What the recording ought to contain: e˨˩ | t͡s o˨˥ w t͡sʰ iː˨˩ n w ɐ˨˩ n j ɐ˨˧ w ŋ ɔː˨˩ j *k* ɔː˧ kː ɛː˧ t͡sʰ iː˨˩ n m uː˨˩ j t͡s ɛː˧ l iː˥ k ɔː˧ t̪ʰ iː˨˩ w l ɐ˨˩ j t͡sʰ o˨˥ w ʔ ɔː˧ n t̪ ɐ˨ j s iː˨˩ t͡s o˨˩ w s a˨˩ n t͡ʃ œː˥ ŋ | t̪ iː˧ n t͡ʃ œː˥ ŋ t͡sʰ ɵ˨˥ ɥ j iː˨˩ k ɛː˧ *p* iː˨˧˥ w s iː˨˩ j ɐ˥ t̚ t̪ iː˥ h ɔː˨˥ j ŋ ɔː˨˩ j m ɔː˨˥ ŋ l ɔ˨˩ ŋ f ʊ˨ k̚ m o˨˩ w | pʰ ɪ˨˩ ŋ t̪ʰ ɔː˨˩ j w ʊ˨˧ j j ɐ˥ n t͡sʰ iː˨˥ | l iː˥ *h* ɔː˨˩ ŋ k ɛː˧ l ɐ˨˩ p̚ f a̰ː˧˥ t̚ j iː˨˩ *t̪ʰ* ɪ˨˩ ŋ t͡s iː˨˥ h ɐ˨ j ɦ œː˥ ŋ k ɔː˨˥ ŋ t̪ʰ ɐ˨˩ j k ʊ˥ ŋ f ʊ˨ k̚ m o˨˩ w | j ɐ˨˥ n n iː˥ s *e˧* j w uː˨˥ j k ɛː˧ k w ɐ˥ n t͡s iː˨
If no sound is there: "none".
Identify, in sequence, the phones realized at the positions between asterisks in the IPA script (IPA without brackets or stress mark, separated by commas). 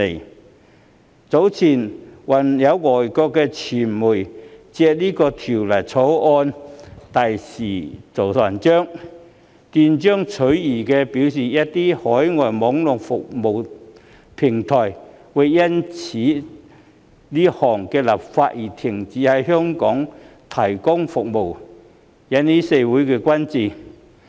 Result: k, p, h, t̪ʰ, e˧